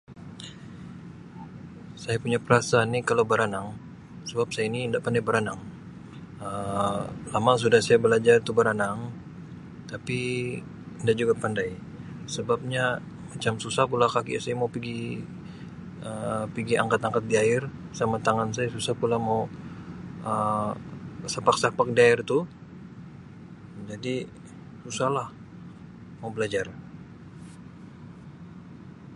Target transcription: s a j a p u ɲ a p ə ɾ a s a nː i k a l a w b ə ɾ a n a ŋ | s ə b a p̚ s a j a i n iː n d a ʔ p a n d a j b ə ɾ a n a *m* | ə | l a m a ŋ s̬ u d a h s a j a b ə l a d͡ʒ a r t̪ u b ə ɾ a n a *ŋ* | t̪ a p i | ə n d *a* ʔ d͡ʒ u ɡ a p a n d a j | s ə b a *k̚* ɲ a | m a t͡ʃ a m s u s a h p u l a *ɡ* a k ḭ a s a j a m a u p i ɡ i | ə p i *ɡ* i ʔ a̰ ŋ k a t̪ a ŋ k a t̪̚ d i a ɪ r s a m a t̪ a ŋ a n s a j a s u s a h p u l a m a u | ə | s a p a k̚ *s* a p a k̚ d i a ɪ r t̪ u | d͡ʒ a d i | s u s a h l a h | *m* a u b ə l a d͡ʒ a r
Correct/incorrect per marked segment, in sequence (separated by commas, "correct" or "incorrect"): incorrect, correct, correct, incorrect, incorrect, correct, correct, correct